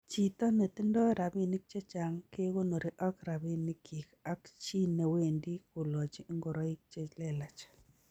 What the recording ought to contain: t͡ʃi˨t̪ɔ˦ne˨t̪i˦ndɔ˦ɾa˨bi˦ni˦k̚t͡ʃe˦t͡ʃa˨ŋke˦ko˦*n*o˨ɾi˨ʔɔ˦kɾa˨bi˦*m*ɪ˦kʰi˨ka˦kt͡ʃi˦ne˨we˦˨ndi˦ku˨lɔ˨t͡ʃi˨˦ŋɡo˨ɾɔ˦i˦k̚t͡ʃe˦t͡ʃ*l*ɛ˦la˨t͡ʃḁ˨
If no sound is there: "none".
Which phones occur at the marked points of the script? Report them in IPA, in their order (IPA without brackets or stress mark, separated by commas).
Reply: n, n, l